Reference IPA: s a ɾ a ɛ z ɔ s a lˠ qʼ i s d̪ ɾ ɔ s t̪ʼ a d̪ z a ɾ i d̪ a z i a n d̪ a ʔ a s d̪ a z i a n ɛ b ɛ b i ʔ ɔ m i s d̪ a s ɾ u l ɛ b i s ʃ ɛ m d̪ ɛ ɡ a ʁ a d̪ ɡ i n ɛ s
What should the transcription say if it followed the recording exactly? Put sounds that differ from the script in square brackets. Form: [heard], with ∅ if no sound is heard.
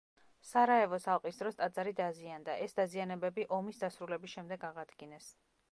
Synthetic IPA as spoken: s a ɾ a ɛ [v] ɔ s a lˠ qʼ i s d̪ ɾ ɔ s t̪ʼ a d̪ z a ɾ i d̪ a z i a n d̪ a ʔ [ɛ] s d̪ a z i a n ɛ b ɛ b i ʔ ɔ m i s d̪ a s ɾ u l ɛ b i s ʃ ɛ m d̪ ɛ ɡ a ʁ a d̪ ɡ i n ɛ s